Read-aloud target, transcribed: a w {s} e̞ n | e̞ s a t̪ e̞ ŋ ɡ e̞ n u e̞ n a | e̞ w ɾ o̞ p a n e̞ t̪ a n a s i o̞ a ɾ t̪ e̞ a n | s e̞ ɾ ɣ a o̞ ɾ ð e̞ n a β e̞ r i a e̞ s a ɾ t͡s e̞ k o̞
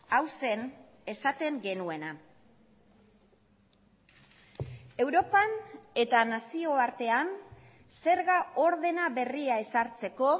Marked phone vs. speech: correct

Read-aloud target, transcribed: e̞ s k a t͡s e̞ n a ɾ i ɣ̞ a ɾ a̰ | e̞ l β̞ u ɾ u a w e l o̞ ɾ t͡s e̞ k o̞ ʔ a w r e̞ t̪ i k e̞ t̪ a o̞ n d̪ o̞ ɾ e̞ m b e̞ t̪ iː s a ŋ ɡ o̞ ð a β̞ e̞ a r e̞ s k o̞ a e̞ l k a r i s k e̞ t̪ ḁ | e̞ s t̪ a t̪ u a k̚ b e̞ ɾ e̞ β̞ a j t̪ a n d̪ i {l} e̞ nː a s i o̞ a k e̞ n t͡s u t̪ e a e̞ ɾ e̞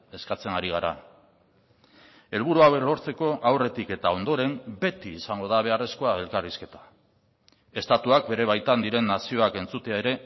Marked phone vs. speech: incorrect: ɾ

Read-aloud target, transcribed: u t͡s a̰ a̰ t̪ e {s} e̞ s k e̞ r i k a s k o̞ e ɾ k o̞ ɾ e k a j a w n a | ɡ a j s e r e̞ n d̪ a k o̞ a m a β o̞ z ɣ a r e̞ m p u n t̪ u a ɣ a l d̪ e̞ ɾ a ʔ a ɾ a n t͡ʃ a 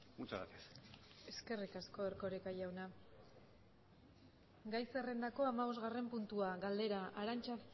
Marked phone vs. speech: correct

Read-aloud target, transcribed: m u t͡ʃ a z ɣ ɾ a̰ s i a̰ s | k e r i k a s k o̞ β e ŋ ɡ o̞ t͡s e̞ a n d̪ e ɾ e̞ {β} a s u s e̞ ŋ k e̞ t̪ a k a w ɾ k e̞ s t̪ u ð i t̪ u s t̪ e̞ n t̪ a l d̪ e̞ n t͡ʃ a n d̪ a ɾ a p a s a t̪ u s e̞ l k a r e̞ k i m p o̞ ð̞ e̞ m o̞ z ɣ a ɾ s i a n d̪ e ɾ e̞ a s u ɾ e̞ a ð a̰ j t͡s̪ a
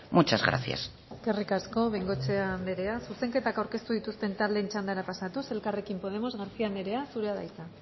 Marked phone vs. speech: incorrect: none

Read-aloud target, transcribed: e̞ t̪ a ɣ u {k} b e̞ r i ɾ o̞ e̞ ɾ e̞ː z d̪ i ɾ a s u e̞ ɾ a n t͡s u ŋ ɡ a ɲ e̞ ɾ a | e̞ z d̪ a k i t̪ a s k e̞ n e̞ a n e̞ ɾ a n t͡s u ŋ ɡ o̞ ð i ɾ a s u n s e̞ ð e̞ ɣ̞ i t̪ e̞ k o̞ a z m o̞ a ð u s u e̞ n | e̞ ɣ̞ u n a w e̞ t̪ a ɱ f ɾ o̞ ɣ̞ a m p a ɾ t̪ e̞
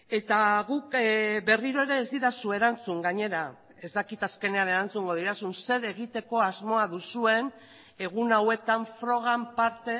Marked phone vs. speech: correct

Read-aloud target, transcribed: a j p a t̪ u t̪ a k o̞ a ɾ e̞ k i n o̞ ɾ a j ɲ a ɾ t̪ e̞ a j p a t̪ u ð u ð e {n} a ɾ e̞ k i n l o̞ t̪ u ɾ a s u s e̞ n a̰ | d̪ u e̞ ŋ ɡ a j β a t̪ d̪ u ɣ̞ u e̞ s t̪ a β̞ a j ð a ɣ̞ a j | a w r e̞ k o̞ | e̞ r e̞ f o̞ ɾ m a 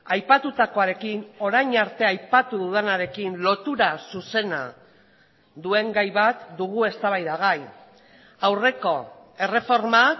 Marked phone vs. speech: correct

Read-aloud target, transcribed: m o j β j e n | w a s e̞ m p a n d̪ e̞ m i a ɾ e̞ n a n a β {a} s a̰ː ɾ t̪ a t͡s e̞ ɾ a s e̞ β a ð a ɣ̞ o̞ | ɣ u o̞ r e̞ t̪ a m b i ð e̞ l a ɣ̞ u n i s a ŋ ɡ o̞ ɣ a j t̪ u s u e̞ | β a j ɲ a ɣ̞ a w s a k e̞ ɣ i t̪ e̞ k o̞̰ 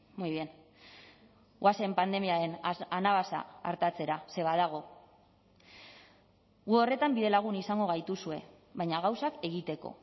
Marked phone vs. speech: correct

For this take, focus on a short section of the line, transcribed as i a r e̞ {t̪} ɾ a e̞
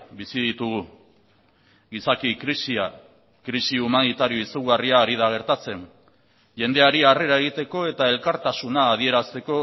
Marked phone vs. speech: incorrect: none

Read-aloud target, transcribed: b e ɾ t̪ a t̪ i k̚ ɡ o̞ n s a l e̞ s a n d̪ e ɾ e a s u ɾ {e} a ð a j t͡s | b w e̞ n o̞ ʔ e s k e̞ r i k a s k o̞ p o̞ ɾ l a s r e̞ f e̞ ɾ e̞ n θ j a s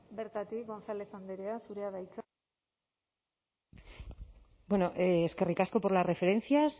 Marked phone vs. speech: correct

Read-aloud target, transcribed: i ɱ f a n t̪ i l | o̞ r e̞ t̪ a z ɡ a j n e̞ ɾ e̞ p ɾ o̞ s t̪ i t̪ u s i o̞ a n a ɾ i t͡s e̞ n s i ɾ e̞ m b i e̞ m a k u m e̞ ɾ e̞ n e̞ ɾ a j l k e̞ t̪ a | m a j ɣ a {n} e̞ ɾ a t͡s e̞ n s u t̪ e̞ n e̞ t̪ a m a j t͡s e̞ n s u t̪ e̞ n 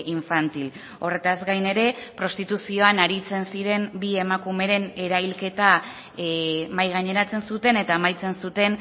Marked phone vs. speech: incorrect: ɲ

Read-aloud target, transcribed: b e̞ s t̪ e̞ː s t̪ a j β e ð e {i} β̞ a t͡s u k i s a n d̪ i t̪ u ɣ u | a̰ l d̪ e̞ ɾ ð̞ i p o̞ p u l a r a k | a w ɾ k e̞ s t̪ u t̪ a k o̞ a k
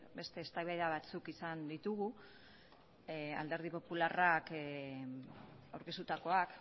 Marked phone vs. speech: incorrect: a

